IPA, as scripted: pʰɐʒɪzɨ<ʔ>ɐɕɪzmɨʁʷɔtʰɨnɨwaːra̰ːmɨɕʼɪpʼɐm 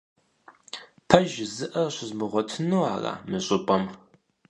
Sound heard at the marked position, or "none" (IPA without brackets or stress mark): ʔ